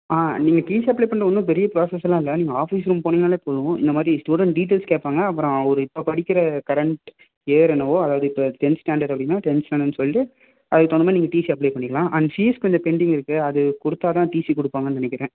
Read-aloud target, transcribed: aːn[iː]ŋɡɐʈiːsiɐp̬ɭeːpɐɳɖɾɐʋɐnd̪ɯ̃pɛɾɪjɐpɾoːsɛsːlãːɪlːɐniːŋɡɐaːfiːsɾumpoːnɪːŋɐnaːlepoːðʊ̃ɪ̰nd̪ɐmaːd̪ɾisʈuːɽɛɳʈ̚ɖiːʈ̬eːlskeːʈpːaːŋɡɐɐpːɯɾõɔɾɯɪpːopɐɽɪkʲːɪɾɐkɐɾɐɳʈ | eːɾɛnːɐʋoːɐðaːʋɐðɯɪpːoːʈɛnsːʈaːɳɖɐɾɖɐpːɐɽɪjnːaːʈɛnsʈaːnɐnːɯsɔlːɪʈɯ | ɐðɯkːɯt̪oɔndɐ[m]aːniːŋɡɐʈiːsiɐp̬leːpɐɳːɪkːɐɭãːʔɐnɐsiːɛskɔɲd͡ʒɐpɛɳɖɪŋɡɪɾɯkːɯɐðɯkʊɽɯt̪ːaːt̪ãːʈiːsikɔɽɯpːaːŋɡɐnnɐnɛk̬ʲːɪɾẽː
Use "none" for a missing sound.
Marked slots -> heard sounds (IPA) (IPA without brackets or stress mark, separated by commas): iː, m